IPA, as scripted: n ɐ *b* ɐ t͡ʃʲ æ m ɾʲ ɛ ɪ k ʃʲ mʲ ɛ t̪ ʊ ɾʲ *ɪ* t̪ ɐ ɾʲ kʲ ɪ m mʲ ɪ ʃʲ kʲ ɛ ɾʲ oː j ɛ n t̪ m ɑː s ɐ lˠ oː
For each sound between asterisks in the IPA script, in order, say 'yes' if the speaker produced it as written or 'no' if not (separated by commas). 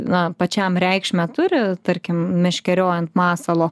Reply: no, yes